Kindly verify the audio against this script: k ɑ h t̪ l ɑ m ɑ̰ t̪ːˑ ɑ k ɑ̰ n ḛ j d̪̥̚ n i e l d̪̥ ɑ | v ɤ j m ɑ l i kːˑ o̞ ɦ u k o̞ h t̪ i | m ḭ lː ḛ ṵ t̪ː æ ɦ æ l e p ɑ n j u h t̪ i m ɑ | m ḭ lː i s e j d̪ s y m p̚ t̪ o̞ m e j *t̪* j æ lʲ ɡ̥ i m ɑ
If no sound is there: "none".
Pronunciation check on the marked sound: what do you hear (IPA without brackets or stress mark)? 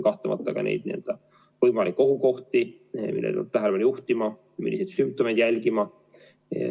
d̪